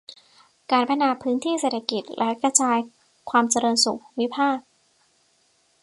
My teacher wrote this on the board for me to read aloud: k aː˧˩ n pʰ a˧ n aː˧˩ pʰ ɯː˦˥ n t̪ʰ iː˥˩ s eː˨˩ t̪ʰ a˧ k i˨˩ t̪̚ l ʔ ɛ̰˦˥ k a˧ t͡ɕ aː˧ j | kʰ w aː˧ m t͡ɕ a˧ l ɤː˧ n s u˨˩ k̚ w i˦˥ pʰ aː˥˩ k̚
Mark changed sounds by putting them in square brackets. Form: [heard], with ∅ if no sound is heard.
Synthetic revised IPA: k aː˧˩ n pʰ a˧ n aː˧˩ pʰ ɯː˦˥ n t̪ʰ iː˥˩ s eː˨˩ t̪ʰ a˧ k i˨˩ t̪̚ l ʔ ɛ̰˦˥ k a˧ t͡ɕ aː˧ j | kʰ w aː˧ m t͡ɕ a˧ [ɾ] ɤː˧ n s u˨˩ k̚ w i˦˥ pʰ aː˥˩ k̚